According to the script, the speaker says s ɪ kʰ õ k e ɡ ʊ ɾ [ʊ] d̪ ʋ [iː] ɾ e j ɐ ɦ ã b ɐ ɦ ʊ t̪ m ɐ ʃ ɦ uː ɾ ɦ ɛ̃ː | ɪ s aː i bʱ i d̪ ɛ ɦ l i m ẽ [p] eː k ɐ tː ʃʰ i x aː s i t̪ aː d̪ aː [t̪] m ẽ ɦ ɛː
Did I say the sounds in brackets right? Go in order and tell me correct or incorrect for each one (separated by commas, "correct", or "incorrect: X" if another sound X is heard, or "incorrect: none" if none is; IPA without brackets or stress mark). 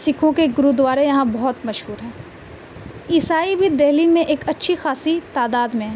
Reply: incorrect: u, incorrect: aː, incorrect: ʔ, incorrect: d̪